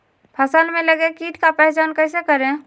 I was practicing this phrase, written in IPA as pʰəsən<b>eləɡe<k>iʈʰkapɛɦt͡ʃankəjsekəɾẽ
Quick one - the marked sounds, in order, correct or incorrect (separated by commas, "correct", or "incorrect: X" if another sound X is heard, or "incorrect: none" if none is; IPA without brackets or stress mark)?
incorrect: m, correct